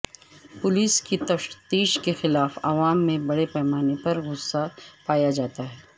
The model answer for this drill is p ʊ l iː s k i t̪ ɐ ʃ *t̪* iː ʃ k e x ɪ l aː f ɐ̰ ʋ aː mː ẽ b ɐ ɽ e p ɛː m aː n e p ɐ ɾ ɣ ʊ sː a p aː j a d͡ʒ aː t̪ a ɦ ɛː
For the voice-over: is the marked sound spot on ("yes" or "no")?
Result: yes